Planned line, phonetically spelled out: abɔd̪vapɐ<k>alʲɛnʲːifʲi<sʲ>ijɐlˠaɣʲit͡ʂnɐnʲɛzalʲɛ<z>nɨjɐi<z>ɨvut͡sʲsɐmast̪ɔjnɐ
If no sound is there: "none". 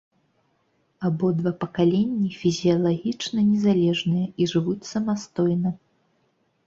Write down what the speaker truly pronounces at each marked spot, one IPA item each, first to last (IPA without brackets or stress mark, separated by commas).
k, zʲ, ʐ, ʐ